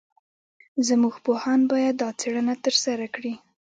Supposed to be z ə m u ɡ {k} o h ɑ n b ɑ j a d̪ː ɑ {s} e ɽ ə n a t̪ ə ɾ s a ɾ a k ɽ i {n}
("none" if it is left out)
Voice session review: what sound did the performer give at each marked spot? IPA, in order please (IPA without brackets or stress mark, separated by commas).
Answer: p, t͡s, none